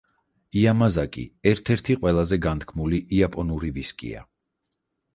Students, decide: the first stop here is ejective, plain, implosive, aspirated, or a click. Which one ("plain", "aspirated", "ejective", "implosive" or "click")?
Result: ejective